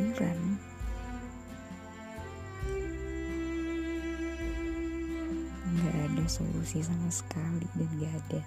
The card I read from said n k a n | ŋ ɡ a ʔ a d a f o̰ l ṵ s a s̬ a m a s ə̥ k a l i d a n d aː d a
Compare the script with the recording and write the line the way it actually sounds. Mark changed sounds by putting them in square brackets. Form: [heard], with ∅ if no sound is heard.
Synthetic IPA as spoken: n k a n | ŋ ɡ a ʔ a d a [s] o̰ l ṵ s [i] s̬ a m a s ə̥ k a l i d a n [ɡ] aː d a